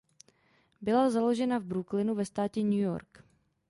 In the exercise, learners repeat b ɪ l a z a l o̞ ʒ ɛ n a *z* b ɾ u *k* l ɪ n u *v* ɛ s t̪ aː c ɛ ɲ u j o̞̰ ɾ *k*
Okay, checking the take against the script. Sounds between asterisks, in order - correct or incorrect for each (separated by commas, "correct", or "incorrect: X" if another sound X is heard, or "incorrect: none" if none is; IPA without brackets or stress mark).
incorrect: v, correct, correct, correct